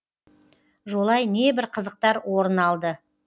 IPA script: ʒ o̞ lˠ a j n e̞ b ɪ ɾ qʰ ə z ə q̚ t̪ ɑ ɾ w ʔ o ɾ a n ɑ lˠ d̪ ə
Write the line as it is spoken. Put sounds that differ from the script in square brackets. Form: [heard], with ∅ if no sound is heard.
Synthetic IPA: ʒ o̞ lˠ [ɑ] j n e̞ b ɪ ɾ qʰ ə z ə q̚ t̪ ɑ ɾ w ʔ o ɾ [ə] n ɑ lˠ d̪ ə